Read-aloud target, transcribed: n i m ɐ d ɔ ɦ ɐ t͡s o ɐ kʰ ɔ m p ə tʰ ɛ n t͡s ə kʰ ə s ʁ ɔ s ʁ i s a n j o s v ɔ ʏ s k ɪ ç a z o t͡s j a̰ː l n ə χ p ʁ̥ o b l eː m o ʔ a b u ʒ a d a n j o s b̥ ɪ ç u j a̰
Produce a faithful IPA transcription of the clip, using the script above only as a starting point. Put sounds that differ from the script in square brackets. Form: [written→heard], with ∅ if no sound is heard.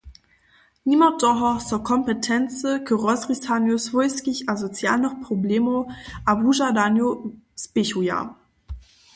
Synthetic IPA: n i m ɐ d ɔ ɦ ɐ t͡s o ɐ kʰ ɔ m p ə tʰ ɛ n t͡s ə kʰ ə [s→∅] ʁ ɔ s ʁ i s a n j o s v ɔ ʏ s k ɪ ç a z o t͡s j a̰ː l n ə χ p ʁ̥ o b l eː m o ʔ a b u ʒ a d a n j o s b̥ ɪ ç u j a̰